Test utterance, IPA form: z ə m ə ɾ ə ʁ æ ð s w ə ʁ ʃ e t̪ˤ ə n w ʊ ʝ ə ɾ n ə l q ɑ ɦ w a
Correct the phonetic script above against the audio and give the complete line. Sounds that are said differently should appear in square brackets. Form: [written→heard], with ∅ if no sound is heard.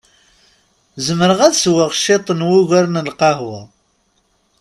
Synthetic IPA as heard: z ə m ə ɾ ə ʁ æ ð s w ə ʁ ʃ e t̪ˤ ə n w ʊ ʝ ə ɾ n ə l q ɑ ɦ w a